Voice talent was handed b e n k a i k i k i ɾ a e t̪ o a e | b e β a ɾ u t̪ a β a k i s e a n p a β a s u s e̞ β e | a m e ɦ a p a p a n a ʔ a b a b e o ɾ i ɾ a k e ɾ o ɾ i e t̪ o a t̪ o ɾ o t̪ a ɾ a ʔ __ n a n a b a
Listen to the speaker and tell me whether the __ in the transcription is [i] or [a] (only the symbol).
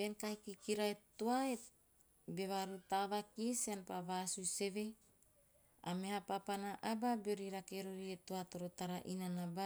i